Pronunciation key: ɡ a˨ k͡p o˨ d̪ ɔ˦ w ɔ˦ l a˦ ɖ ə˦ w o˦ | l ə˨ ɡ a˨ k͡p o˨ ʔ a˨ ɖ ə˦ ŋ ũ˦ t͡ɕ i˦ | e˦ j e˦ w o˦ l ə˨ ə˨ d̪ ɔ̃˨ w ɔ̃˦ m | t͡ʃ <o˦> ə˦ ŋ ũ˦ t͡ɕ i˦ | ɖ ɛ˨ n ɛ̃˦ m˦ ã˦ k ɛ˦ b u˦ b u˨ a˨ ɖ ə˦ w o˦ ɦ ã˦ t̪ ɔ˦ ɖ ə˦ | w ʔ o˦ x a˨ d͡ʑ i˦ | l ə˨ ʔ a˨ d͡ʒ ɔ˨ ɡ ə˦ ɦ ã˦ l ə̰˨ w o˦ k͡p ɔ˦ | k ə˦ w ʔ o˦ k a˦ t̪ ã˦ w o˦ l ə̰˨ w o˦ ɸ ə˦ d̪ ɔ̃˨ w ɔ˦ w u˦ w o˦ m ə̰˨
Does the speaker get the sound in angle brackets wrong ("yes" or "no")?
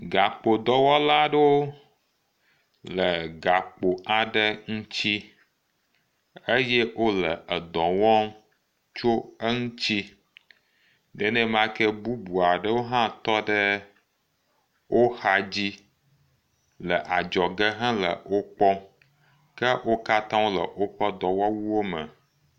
no